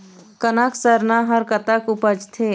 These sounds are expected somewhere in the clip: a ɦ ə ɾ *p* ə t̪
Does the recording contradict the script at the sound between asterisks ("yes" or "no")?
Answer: yes